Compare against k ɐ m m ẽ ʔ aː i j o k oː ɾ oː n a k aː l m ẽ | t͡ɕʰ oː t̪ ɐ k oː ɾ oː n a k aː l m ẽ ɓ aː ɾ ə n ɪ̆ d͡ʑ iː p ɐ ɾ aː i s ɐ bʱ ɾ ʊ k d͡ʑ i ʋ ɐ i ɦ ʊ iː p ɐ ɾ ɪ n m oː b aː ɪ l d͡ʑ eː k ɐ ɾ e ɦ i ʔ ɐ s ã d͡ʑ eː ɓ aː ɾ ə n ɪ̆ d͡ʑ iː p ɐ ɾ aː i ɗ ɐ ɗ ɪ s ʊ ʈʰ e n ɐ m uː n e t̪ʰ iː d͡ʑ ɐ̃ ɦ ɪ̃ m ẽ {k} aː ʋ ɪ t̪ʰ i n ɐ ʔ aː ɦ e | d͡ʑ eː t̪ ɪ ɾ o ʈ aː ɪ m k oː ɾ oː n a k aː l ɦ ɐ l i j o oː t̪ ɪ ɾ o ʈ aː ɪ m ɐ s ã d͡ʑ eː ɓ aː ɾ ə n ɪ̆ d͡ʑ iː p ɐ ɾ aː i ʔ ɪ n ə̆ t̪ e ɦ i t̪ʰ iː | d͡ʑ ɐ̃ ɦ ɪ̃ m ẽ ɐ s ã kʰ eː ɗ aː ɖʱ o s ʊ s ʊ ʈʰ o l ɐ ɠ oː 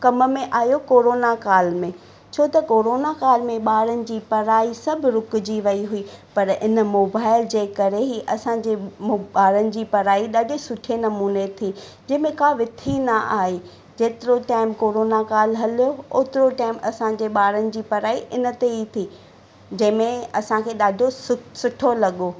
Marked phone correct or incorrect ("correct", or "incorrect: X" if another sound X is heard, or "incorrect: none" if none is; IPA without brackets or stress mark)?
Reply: correct